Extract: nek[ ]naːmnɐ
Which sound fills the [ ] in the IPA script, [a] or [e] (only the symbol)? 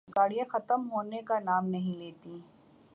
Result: a